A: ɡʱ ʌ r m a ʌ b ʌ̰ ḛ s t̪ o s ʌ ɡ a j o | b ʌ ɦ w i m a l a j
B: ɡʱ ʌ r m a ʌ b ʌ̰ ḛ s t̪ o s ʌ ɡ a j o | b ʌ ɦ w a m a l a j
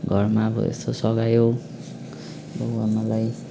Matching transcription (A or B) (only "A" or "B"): B